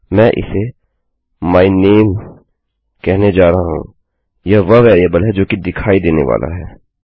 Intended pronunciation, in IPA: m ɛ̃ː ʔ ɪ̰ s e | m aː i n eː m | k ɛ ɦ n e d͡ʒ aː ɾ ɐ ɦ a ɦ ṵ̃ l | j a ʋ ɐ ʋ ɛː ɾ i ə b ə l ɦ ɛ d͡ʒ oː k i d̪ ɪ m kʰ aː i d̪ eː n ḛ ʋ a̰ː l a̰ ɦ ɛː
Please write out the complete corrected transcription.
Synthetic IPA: m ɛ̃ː ʔ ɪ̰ s e | m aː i n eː m | k ɛ ɦ n e d͡ʒ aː ɾ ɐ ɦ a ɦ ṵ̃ | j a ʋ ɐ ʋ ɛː ɾ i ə b ə l ɦ ɛ d͡ʒ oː k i d̪ ɪ kʰ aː i d̪ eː n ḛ ʋ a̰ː l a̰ ɦ ɛː